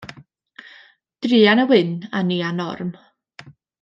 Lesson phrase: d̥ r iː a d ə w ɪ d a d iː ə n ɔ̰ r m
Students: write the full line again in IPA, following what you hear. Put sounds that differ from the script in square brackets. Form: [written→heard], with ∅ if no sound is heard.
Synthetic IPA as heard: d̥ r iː a [d→n] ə w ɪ [d→n] a [d→n] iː [ə→a] n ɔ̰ r m